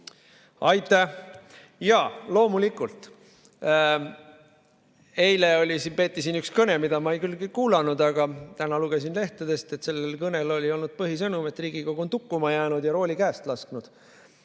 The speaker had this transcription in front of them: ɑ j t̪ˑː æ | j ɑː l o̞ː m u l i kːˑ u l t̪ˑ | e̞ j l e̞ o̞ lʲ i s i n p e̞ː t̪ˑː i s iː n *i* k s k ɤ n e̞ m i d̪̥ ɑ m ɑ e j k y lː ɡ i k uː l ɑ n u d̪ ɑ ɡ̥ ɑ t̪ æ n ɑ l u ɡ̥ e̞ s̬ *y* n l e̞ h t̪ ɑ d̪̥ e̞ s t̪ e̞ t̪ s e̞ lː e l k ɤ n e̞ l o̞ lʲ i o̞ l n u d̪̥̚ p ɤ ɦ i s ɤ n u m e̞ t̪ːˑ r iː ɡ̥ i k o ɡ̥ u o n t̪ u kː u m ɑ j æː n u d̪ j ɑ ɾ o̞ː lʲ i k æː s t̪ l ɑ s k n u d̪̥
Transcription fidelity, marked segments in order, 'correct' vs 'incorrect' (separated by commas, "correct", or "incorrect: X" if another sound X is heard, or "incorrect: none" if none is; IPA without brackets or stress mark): incorrect: y, incorrect: i